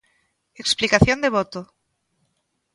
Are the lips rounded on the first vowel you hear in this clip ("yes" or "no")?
no